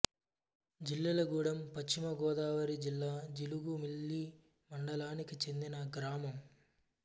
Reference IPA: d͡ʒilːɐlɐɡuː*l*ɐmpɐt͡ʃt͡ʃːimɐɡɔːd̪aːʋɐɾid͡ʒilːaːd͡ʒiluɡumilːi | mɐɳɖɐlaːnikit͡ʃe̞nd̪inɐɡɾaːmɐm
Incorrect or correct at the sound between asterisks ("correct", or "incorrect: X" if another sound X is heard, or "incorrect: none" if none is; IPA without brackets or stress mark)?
incorrect: ɽ